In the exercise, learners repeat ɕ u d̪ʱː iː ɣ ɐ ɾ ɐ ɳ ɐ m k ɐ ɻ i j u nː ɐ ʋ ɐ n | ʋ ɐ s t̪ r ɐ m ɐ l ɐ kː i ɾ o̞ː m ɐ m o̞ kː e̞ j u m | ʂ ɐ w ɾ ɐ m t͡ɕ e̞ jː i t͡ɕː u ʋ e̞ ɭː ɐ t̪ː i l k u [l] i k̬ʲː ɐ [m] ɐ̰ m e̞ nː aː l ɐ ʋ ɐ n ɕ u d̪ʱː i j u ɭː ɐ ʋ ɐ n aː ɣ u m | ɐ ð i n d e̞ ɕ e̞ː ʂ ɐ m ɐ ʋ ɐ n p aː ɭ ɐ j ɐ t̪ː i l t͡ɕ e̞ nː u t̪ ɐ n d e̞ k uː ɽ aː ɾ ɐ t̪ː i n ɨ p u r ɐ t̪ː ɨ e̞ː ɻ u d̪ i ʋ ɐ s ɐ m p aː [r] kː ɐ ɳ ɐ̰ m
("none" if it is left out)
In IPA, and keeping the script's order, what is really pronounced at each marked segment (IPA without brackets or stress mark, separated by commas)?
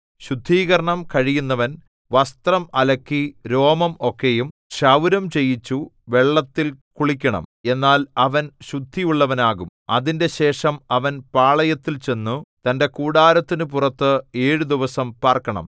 ɭ, ɳ, r